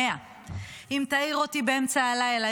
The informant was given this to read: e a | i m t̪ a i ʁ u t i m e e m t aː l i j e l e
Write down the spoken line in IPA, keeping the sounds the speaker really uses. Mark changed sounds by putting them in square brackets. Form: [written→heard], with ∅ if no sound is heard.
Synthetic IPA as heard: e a | i m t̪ a i ʁ [u→o] t i [m→b] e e m [t→t͡s] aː l [i→a] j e l [e→a]